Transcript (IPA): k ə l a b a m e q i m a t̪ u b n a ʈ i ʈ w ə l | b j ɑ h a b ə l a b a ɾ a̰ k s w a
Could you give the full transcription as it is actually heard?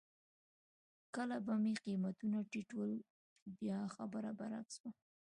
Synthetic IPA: k ə l a b a m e q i m a t̪ u n a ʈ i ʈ w ə l | b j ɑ x a b ə ɾ a b a ɾ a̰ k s w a